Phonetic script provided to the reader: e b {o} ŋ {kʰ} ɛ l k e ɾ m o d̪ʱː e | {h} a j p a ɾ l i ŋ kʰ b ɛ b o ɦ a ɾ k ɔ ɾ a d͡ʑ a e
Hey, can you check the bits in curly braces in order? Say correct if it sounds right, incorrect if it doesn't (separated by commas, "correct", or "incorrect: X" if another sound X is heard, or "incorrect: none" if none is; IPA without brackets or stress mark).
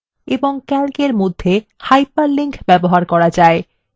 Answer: correct, incorrect: k, correct